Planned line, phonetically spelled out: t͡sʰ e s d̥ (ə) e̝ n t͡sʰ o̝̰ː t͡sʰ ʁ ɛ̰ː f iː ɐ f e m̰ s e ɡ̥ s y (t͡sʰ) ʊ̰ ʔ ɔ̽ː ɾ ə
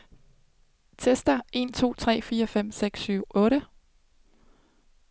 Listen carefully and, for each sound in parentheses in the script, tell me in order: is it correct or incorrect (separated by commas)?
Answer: incorrect, incorrect